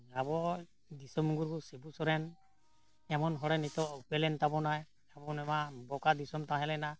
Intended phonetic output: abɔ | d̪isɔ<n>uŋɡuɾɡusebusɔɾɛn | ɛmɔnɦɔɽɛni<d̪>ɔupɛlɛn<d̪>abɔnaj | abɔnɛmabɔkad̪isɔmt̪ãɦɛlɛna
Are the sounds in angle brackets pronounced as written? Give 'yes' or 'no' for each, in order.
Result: no, no, no

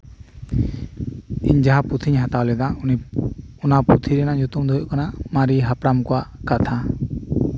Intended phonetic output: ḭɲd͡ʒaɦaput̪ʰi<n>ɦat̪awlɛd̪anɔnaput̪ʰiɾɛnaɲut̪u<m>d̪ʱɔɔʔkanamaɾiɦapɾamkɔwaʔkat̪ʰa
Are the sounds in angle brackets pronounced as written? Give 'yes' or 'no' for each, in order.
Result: no, yes

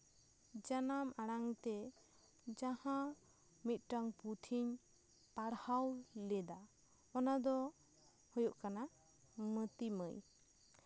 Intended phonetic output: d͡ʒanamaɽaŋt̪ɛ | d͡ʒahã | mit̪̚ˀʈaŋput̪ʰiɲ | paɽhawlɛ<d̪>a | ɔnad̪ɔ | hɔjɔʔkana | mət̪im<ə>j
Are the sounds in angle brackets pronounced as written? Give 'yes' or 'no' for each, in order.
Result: yes, yes

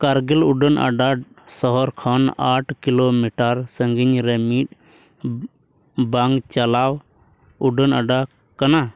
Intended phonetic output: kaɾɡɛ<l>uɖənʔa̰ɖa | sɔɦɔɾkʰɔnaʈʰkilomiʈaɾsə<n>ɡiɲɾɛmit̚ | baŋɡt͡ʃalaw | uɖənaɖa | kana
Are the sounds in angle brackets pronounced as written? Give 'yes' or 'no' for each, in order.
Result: yes, no

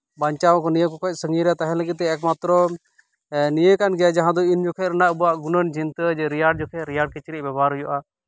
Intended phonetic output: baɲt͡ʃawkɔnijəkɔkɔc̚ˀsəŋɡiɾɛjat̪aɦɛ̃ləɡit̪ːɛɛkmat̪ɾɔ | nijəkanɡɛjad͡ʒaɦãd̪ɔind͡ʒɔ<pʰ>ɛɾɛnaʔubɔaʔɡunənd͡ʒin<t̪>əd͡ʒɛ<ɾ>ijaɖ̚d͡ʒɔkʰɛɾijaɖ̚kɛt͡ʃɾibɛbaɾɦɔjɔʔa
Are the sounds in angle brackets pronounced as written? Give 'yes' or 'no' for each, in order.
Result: no, yes, yes

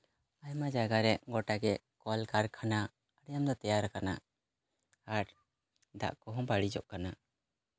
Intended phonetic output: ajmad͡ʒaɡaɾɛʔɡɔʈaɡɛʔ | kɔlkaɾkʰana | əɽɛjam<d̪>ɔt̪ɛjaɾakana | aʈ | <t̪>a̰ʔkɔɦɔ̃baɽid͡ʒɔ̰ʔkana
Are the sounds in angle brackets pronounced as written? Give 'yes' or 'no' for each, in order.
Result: yes, no

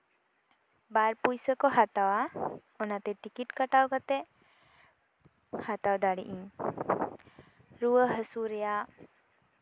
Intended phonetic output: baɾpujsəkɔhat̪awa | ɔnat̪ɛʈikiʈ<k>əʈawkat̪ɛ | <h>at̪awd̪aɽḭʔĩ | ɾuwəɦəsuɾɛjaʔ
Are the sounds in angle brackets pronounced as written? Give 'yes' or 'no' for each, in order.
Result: yes, yes

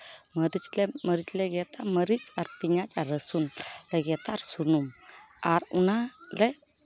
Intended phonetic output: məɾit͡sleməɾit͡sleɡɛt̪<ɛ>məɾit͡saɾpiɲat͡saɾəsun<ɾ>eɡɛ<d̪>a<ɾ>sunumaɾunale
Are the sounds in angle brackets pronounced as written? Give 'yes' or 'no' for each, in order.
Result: no, no, no, yes

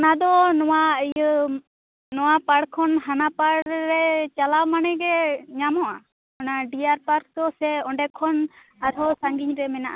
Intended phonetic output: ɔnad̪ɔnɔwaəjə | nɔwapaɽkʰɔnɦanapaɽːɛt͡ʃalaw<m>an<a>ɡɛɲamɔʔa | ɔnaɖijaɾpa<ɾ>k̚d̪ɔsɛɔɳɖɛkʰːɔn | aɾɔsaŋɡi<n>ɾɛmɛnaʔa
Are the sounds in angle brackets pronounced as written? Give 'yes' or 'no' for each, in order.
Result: yes, no, yes, no

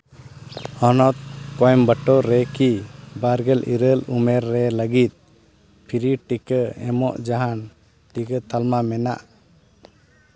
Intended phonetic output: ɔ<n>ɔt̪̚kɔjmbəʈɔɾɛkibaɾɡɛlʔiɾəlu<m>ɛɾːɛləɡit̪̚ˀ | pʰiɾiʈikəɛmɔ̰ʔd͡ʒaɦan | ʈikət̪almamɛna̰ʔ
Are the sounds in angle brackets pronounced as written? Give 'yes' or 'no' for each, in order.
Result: yes, yes

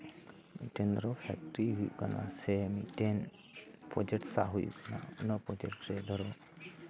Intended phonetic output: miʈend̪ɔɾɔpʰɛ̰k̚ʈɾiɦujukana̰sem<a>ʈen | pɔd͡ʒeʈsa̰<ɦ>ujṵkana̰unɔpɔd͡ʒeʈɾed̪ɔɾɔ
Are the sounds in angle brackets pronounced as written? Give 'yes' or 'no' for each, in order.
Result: no, yes

